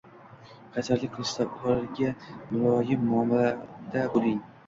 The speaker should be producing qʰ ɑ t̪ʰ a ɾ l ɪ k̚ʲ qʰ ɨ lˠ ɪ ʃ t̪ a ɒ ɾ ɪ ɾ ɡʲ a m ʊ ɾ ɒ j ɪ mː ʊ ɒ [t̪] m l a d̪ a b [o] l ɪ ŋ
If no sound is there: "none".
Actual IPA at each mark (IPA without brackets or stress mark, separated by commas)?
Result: none, o